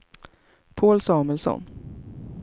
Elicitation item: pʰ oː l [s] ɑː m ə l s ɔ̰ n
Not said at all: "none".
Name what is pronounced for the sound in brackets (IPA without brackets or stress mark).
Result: s